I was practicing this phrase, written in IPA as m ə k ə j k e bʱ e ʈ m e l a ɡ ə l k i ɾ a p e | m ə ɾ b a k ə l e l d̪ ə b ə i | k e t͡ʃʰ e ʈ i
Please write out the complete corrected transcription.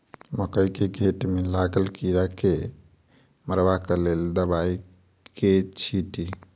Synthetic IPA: m ə k ə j k e ɡʱ e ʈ m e l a ɡ ə l k i ɾ a k e | m ə ɾ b a k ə l e l d̪ ə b a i | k e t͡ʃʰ i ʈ i